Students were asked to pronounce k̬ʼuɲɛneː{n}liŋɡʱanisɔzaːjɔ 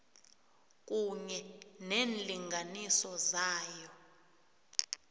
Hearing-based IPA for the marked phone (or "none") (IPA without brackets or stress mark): n